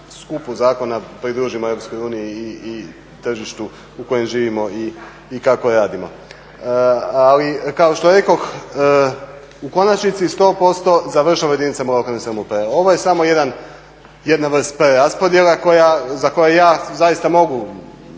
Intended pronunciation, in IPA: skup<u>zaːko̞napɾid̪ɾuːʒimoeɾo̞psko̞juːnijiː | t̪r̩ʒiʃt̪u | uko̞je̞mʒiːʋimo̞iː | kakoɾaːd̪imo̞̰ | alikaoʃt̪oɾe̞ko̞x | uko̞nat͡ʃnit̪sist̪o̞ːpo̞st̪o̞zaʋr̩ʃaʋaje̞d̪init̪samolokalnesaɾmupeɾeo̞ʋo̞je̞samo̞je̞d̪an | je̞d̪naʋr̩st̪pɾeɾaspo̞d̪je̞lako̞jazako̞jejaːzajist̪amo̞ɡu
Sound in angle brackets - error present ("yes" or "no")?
no